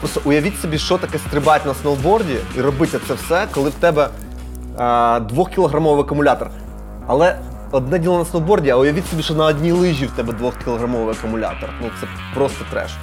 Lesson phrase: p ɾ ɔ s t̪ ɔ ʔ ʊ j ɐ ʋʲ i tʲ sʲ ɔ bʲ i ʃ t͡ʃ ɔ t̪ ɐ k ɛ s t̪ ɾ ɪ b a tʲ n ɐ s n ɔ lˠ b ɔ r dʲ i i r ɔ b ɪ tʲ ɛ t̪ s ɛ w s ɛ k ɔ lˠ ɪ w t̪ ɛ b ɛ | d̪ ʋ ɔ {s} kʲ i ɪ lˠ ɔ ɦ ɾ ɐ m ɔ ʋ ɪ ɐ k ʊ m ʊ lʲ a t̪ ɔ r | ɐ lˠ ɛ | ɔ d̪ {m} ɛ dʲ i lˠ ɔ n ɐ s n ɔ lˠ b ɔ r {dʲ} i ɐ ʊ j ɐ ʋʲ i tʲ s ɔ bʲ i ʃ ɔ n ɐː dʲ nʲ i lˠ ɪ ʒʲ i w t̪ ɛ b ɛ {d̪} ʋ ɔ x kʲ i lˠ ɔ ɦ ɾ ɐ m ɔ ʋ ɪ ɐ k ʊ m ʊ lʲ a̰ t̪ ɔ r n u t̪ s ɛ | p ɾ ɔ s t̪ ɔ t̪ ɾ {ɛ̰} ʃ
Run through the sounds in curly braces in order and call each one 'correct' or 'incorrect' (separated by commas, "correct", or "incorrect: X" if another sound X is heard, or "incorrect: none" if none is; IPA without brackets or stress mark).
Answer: incorrect: x, incorrect: n, correct, correct, correct